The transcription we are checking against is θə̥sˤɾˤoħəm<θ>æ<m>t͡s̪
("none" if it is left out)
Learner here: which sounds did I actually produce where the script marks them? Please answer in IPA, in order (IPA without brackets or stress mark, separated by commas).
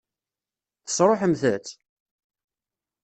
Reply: θ, none